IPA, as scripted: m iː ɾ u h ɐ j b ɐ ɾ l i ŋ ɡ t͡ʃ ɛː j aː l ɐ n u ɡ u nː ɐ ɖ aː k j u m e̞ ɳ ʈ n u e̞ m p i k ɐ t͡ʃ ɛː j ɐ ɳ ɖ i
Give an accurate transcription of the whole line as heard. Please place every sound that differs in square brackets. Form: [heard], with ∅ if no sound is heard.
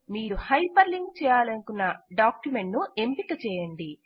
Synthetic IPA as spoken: m iː ɾ u h ɐ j [p] ɐ ɾ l i ŋ ɡ t͡ʃ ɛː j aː l ɐ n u [k] u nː ɐ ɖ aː k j u m e̞ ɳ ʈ n u e̞ m p i k ɐ t͡ʃ ɛː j ɐ ɳ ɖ i